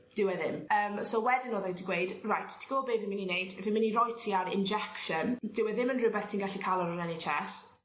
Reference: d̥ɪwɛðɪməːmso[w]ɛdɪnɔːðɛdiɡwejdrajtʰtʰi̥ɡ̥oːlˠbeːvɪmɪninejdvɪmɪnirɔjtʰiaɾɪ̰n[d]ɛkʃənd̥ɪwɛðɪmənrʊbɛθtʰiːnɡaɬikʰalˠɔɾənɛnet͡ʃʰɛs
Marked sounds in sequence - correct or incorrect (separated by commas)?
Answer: correct, incorrect